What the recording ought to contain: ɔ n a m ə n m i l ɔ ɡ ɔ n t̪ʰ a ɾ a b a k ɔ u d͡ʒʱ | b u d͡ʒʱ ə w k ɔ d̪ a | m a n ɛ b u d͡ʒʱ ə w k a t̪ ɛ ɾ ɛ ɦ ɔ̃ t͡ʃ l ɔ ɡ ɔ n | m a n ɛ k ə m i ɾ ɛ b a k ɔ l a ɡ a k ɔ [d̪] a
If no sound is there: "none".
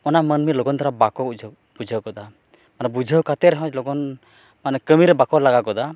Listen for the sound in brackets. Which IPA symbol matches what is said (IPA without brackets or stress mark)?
d̪